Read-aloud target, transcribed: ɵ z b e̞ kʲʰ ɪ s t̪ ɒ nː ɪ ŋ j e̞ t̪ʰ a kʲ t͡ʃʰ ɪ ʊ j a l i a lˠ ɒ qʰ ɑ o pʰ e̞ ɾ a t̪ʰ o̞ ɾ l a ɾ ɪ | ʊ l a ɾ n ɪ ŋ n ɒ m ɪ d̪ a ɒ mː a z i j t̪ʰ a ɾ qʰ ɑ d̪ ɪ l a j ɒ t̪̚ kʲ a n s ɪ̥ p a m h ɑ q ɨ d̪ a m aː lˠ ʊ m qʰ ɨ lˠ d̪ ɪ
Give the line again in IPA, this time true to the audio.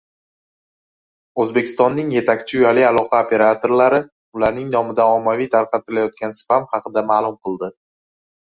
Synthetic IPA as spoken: ɵ z b e̞ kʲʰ ɪ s t̪ ɒ nː ɪ ŋ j e̞ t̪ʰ a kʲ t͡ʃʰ ɪ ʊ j a l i a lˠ ɒ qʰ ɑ o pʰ e̞ ɾ a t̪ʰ o̞ ɾ l a ɾ ɪ | ʊ l a ɾ n ɪ ŋ n ɒ m ɪ d̪ a ɒ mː a v i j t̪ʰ a ɾ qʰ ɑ t̪ ɪ l a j ɒ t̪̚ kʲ a n s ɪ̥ p a m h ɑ q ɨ d̪ a m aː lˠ ʊ m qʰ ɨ lˠ d̪ ɪ